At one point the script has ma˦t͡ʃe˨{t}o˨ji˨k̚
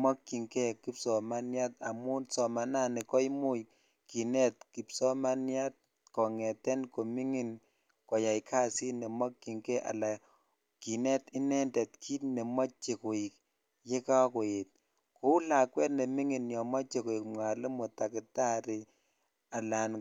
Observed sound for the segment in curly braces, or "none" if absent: k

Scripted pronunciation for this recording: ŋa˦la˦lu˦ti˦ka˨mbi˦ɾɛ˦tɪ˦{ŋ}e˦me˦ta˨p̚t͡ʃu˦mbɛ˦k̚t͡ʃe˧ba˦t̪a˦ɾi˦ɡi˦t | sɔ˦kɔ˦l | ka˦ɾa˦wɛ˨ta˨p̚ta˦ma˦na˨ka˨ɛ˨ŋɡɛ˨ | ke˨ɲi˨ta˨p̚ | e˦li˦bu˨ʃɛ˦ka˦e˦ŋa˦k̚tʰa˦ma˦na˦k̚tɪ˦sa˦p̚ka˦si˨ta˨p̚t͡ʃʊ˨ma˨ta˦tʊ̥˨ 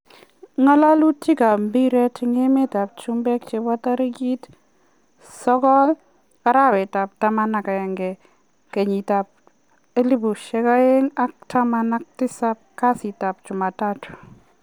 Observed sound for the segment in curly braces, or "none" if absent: ŋ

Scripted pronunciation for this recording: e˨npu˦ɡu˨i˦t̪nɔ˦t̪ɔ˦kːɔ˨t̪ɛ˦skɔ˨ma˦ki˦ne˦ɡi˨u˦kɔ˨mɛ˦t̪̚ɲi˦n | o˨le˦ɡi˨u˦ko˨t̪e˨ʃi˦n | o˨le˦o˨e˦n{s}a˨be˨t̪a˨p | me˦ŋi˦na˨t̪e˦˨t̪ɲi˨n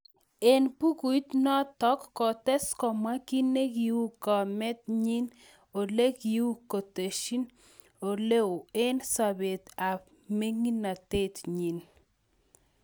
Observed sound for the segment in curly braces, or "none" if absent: s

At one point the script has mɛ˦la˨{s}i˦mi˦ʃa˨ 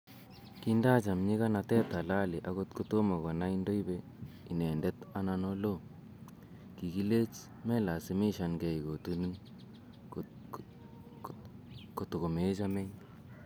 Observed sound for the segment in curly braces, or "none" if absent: s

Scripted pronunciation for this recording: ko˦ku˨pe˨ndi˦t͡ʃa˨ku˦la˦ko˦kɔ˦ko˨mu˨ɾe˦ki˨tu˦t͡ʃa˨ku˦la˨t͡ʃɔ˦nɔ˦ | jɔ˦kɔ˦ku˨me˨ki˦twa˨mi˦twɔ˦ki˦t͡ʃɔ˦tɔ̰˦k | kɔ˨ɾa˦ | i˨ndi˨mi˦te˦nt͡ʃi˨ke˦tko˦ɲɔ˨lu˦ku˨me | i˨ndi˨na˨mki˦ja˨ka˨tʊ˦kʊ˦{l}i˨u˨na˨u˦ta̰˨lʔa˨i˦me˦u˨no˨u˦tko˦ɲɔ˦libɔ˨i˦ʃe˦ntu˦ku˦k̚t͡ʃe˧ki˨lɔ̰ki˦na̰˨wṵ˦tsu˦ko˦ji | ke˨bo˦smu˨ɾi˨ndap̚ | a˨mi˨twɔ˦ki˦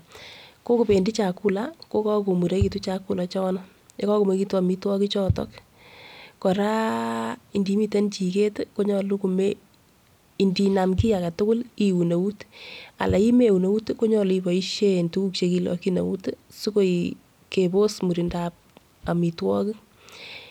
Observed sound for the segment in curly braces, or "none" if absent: l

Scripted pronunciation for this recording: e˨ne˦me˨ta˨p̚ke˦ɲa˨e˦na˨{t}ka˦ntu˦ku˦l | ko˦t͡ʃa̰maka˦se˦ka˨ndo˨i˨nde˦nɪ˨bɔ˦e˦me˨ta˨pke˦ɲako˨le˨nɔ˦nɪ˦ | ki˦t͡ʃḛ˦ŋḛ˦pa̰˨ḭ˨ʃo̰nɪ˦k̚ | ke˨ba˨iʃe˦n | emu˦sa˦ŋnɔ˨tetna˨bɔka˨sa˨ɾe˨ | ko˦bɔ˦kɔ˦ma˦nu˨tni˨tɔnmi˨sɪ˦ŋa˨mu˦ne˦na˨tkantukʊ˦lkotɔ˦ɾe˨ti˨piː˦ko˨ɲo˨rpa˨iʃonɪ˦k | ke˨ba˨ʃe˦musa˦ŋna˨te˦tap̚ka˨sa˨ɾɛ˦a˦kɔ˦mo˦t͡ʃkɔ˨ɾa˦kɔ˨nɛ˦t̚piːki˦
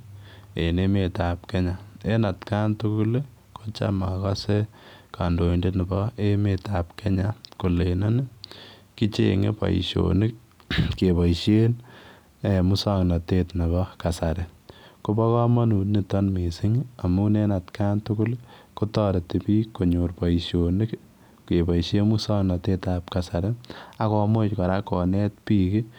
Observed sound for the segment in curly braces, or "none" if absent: t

